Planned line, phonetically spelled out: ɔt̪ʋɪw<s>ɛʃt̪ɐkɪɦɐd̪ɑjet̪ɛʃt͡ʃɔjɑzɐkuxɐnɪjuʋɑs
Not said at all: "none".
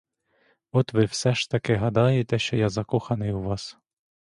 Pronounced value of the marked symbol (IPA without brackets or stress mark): s